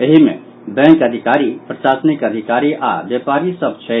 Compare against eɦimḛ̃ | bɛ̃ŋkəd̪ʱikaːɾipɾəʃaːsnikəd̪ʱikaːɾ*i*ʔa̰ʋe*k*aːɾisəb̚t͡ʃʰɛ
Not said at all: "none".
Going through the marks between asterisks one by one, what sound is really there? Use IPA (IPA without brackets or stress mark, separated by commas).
i, p